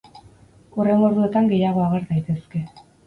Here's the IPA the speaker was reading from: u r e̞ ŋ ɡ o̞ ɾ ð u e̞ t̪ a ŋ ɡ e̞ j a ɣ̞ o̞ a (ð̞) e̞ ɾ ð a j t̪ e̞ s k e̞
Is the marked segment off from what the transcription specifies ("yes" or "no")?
yes